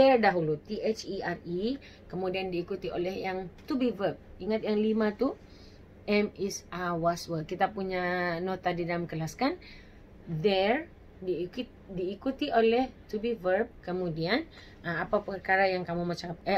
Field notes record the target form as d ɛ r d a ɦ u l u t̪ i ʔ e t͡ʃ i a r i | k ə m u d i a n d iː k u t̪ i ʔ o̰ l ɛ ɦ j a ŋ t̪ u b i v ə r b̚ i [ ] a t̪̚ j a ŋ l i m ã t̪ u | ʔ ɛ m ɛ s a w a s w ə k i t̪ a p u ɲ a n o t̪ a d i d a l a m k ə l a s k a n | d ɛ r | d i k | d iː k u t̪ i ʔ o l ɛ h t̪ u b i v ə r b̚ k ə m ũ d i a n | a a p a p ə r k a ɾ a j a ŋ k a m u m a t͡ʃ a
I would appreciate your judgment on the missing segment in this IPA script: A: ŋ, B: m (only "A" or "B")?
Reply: A